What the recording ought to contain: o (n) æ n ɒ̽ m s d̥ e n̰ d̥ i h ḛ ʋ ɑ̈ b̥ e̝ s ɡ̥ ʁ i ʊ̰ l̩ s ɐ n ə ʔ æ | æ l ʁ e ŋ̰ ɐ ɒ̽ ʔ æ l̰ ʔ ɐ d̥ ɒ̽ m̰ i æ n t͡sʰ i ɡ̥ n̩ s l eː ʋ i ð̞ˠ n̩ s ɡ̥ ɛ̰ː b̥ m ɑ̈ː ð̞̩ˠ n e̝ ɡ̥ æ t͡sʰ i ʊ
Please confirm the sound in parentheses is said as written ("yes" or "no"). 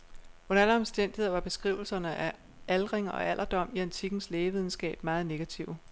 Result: yes